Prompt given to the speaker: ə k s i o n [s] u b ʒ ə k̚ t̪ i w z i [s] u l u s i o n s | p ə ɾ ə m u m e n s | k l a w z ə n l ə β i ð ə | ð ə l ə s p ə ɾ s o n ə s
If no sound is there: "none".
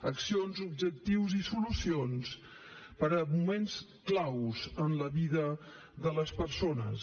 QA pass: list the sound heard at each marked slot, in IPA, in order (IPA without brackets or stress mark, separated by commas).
z, s